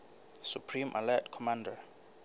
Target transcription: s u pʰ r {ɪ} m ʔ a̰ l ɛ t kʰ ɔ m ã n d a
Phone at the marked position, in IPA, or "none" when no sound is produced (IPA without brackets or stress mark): i